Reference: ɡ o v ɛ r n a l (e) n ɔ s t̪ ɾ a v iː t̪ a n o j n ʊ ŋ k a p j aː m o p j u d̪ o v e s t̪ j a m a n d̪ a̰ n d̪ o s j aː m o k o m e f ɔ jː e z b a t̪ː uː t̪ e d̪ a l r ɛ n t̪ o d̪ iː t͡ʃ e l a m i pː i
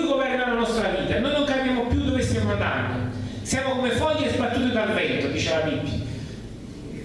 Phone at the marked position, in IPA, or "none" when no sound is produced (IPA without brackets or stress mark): a